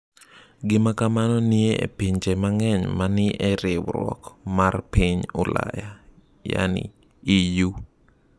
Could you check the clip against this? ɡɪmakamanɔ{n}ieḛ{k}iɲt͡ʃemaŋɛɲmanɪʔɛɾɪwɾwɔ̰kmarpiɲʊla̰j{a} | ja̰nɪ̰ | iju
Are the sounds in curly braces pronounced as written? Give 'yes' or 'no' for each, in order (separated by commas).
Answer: yes, no, yes